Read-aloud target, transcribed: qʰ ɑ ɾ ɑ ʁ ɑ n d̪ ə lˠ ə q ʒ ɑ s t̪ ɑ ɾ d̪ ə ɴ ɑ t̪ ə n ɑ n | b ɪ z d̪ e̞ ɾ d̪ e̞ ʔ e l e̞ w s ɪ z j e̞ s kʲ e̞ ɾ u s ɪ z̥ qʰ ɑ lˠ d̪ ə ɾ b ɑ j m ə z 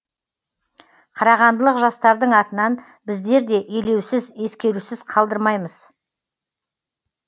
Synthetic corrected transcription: qʰ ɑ ɾ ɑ ʁ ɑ n d̪ ə lˠ ə q ʒ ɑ s t̪ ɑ ɾ d̪ ə ɴ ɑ t̪ ə n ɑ n | b ɪ z d̪ e̞ ɾ d̪ e̞ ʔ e l e̞ w s ɪ z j e̞ s kʲ e̞ ɾ u s ɪ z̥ qʰ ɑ lˠ d̪ ə ɾ m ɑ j m ə z